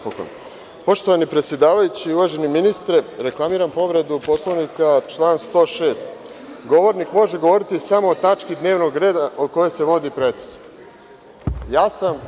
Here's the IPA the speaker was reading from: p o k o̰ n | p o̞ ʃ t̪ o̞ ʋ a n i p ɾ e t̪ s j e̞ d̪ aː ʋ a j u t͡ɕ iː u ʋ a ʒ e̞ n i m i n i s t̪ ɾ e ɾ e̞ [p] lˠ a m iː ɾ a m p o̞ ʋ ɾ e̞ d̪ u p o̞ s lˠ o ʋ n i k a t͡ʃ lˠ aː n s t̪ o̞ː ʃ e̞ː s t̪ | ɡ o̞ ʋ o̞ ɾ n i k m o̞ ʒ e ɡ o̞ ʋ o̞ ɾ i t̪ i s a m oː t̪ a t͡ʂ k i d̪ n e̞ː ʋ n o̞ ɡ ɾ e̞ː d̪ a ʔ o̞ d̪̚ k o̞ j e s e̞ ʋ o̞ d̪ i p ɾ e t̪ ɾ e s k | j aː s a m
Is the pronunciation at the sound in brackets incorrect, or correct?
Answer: incorrect